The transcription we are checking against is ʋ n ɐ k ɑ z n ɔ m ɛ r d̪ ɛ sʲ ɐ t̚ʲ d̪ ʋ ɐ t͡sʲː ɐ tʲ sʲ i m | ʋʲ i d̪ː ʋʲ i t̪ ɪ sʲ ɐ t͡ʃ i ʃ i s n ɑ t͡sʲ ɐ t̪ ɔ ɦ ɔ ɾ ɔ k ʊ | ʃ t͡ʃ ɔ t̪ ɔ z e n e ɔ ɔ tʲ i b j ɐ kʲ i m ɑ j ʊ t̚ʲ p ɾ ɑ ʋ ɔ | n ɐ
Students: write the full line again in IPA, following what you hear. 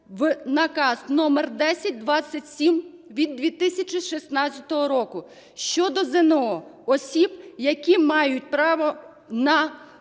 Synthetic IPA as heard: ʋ n ɐ k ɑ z n ɔ m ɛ r d̪ ɛ sʲ ɐ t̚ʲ d̪ ʋ ɑ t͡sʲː ɐ tʲ sʲ i m | ʋʲ i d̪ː ʋʲ i t̪ ɪ sʲ ɐ t͡ʃ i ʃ i s n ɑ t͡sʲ ɐ t̪ ɔ ɦ ɔ ɾ ɔ k ʊ | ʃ t͡ʃ ɔ d̪ ɔ z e n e ɔ ɔ sʲ i b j ɐ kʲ i m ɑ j ʊ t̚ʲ p ɾ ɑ ʋ ɔ | n ɐ